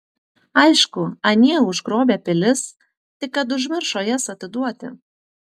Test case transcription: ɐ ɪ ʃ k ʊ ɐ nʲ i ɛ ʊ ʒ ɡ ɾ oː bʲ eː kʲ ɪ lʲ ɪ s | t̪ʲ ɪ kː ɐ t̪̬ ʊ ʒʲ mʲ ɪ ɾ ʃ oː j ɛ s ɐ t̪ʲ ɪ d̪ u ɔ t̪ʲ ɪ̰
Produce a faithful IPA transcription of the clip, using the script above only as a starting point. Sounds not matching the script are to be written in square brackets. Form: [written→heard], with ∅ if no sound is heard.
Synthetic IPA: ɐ ɪ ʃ k ʊ ɐ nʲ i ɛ ʊ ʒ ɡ ɾ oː bʲ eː [kʲ→pʲ] ɪ lʲ ɪ s | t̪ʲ ɪ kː ɐ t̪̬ ʊ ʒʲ mʲ ɪ ɾ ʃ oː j ɛ s ɐ t̪ʲ ɪ d̪ u ɔ t̪ʲ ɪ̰